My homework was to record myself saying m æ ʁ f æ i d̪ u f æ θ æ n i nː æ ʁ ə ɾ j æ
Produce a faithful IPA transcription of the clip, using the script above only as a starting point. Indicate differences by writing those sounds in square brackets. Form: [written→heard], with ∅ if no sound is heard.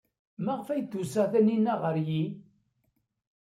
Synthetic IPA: m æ ʁ f æ [i→j] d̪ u [f→s] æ θ æ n i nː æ ʁ ə ɾ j [æ→i]